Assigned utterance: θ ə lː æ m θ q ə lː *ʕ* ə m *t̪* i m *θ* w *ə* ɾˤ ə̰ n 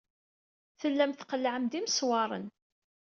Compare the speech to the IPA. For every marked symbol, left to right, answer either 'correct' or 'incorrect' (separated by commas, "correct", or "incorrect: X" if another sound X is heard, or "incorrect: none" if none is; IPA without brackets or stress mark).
correct, incorrect: d̪, incorrect: s, incorrect: ɑ